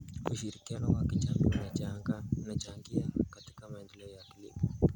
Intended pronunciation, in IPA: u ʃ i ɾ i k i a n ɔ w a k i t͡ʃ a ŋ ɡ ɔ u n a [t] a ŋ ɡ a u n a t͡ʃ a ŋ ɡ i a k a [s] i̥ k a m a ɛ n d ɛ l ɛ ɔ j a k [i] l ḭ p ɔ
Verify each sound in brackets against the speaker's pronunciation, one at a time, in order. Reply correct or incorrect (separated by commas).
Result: incorrect, incorrect, correct